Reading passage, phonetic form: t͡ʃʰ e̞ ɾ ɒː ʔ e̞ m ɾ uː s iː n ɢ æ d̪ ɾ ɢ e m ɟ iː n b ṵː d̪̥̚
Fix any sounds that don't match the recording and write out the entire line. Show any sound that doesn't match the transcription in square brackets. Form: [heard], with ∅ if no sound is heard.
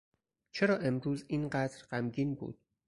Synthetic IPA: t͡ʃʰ e̞ ɾ ɒː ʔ e̞ m ɾ uː [z] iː n ɢ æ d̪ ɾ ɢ [æ] m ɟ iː n b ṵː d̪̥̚